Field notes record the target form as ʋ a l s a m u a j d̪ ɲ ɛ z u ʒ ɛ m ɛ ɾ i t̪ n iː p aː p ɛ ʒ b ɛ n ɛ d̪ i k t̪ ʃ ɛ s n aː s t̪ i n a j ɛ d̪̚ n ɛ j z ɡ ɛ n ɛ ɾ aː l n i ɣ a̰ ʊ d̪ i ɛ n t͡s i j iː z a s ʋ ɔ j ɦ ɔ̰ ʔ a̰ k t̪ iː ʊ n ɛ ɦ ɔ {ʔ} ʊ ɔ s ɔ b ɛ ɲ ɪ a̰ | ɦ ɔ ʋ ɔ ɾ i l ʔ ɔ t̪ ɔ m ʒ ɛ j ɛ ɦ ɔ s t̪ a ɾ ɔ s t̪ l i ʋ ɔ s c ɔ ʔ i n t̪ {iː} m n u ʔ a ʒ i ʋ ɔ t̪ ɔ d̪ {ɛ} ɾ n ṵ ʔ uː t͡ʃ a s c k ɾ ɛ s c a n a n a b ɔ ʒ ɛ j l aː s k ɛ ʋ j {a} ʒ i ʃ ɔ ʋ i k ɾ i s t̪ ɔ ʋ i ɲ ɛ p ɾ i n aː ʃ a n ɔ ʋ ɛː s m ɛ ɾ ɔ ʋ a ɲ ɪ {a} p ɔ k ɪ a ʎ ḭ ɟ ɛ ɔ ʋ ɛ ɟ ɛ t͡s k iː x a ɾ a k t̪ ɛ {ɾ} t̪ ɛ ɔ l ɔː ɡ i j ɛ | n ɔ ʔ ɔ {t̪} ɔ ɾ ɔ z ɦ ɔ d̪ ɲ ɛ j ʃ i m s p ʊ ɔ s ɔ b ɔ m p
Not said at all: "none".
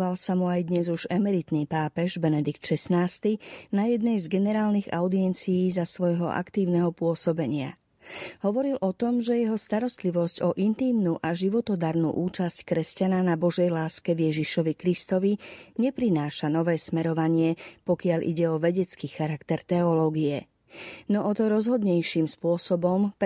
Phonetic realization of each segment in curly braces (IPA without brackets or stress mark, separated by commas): p, iː, a, ɛ, ɛ, ɾ, t̪